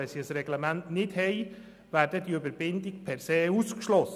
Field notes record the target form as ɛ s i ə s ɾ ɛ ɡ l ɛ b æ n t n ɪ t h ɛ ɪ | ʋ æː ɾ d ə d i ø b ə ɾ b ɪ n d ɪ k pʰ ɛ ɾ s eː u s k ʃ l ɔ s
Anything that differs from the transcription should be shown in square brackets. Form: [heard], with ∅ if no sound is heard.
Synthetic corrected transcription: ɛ s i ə s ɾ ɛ ɡ l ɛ [m] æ n t n ɪ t h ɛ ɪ | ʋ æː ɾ d ə d i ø b ə ɾ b ɪ n d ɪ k pʰ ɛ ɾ s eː u s k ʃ l ɔ s